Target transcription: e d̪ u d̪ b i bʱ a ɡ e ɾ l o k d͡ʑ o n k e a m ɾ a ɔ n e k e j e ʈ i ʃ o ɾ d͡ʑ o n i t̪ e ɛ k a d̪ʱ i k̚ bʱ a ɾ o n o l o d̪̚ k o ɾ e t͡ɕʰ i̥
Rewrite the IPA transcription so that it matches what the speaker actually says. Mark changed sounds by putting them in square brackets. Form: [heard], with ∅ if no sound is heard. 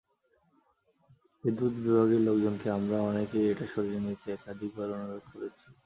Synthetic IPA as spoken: e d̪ u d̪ b i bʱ a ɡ e ɾ l o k d͡ʑ o n k e a m ɾ a ɔ n e k e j e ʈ [a] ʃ o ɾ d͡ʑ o n i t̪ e ɛ k a d̪ʱ i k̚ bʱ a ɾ o n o [ɾ] o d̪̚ k o ɾ e t͡ɕʰ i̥